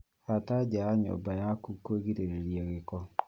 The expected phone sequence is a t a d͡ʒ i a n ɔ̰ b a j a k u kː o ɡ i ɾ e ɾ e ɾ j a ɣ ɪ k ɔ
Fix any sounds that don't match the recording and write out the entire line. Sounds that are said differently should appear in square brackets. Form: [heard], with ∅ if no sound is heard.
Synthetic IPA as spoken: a t a d͡ʒ [a] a [ɲ] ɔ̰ b a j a k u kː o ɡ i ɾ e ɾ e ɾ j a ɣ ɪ k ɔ